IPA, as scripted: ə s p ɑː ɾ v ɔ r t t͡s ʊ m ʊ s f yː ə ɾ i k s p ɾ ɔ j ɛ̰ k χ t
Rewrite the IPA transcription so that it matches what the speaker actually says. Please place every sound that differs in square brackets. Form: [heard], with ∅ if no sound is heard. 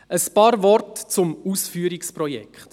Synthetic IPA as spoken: ə s p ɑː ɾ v ɔ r t t͡s ʊ m [u] s f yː ə ɾ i k s p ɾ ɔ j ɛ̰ k χ t